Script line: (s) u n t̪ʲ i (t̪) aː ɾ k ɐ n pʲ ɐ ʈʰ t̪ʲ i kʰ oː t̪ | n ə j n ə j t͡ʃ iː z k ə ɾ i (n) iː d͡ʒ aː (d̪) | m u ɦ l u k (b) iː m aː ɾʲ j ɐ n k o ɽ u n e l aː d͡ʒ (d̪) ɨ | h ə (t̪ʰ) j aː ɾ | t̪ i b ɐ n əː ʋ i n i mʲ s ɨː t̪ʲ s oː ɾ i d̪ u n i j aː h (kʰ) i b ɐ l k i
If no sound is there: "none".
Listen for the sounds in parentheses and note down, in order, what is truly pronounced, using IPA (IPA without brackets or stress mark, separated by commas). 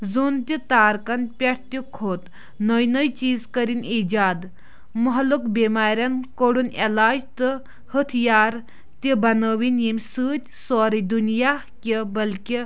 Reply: z, t̪, n, d̪, b, t̪, t̪ʰ, k